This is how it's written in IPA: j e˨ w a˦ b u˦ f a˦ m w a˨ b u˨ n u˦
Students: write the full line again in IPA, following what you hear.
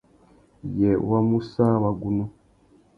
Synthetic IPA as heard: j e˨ w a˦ m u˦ s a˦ w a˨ ɡ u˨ n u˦